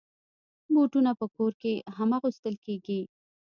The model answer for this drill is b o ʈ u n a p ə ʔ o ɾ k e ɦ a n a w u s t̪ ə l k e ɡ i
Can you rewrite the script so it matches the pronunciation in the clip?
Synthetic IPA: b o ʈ u n a p ə k o ɾ k e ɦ a m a ɣ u s t̪ ə l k e ɡ i